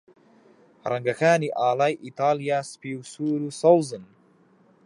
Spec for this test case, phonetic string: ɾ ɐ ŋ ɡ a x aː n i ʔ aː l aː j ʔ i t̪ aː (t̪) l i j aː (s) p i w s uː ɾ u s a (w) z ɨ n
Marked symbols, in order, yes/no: no, yes, yes

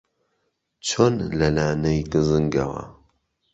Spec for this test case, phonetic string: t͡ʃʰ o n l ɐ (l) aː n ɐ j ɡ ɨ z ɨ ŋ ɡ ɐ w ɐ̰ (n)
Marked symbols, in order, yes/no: yes, no

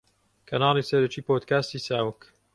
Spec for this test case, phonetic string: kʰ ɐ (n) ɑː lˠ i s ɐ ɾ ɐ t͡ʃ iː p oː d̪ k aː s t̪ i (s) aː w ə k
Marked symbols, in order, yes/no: yes, yes

